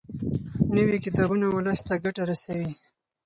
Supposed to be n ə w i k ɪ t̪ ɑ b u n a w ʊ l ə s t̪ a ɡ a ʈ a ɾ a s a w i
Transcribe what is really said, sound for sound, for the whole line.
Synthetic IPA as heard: n ə w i k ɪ t̪ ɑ b u n a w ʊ l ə s t̪ a ɡ a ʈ a ɾ a s a w i